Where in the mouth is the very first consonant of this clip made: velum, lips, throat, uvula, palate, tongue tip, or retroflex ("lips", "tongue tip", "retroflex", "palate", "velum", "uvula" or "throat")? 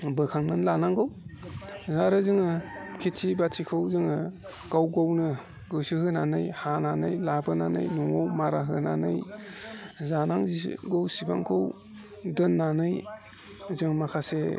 lips